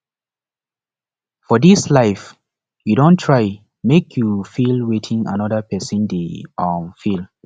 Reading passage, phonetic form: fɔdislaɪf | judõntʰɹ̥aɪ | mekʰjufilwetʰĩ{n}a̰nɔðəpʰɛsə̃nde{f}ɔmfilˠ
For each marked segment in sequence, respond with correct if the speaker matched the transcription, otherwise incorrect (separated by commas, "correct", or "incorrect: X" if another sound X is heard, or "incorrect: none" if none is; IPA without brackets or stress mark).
incorrect: ŋ, incorrect: none